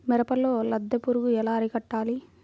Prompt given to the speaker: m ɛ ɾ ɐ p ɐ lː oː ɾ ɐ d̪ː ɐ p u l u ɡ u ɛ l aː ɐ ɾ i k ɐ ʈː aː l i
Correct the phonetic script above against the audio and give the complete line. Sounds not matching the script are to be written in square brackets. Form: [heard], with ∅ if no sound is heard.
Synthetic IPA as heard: m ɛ ɾ ɐ p ɐ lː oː [l] ɐ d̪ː ɐ p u [ɾ] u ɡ u ɛ l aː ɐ ɾ i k ɐ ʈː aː l i